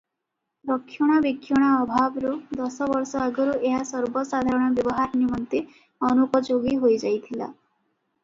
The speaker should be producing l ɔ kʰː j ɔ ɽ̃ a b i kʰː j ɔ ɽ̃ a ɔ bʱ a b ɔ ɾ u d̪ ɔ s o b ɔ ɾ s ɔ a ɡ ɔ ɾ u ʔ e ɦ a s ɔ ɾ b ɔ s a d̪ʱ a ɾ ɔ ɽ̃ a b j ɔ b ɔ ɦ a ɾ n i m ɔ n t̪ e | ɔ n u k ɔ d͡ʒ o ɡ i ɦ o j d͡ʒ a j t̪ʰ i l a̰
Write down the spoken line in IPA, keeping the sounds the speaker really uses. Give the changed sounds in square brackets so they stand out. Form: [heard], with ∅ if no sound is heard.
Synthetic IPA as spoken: [ɾ] ɔ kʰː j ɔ ɽ̃ a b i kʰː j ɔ ɽ̃ a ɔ bʱ a b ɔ ɾ u d̪ ɔ s [ɔ] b ɔ ɾ s ɔ a ɡ ɔ ɾ u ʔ e ɦ a s ɔ ɾ b ɔ s a d̪ʱ a ɾ ɔ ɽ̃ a b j ɔ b ɔ ɦ a ɾ n i m ɔ n t̪ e | ɔ n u k ɔ d͡ʒ o ɡ i ɦ o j d͡ʒ a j t̪ʰ i l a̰